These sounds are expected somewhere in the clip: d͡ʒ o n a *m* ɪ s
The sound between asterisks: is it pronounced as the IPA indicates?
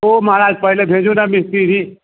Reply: yes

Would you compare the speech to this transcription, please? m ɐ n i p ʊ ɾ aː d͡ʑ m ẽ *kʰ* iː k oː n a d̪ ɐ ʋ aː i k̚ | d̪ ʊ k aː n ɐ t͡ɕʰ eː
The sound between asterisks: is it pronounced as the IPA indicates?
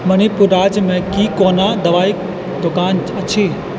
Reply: no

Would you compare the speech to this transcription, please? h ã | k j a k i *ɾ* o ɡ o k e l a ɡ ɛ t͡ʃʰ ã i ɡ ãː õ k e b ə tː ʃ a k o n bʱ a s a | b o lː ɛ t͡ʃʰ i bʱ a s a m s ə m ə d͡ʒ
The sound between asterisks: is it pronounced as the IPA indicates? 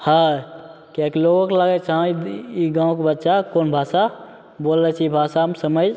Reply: no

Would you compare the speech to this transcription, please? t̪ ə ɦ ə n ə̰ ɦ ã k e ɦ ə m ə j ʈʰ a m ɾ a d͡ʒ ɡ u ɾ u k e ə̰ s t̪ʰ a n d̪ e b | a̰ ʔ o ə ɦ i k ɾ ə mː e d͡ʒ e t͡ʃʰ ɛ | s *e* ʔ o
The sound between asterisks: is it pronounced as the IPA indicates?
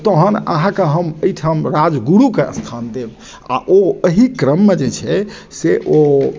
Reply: yes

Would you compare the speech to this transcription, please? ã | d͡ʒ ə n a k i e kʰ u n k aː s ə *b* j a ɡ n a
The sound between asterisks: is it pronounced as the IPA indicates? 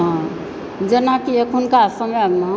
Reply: no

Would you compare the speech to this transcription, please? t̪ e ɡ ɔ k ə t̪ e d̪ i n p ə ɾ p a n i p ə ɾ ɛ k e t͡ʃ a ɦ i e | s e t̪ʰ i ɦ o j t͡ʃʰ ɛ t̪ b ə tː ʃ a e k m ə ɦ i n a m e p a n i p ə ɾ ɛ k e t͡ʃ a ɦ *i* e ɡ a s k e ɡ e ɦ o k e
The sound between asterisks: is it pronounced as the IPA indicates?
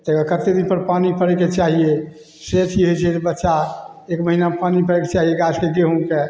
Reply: yes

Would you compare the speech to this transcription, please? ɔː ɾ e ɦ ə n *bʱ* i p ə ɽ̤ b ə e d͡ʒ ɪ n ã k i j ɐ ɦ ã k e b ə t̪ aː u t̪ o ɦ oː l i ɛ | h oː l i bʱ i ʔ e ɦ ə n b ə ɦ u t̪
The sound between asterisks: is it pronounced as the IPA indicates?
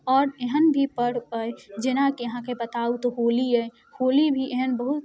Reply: yes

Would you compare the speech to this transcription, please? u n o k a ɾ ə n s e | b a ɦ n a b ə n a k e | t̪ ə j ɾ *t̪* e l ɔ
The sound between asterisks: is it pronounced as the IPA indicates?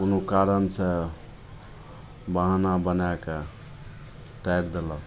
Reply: no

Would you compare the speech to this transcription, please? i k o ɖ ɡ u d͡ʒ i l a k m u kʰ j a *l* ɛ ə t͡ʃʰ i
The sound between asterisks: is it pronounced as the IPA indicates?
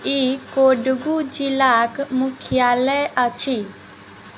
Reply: yes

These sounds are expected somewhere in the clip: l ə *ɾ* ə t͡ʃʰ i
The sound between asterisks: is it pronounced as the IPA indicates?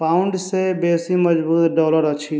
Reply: yes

